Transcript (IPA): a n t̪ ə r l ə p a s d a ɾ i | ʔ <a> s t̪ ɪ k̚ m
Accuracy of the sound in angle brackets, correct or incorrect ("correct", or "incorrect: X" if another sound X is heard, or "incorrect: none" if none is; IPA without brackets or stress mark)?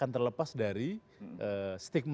incorrect: ə